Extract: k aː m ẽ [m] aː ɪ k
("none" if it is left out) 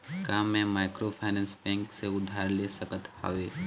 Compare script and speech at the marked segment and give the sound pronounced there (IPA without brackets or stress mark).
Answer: m